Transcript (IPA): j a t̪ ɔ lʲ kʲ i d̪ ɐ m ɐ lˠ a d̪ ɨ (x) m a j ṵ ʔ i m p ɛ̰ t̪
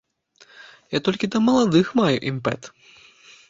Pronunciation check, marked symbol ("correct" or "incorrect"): correct